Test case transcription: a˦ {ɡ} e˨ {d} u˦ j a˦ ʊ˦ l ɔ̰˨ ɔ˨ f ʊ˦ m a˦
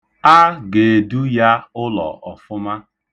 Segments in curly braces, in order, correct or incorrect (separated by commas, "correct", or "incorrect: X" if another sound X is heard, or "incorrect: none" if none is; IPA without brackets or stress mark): correct, correct